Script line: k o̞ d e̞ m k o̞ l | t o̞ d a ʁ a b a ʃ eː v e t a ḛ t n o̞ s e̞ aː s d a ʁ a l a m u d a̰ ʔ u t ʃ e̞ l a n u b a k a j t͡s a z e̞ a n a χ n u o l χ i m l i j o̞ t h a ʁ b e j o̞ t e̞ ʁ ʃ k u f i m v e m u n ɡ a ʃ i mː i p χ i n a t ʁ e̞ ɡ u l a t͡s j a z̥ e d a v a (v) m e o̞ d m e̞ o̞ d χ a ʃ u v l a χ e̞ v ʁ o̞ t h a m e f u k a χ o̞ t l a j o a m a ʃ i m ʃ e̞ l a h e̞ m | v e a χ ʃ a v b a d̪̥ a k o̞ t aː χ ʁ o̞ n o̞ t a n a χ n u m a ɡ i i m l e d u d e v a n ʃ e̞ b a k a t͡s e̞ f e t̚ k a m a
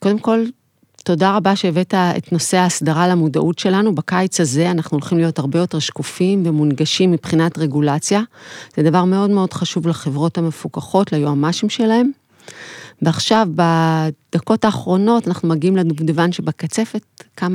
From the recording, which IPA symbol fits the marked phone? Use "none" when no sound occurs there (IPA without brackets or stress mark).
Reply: ʁ